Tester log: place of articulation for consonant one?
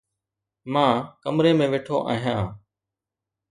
labial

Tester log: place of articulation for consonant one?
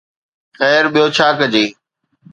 velar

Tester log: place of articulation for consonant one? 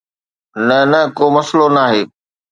alveolar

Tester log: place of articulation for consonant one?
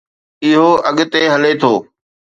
glottal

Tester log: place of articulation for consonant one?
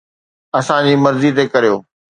alveolar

